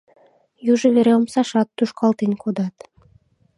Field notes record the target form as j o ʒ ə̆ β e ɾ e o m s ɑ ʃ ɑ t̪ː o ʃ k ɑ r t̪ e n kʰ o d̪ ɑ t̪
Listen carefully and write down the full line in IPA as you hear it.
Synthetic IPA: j u ʒ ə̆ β e ɾ e o m s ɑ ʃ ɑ t̪ː u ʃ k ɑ l t̪ e n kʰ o d̪ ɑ t̪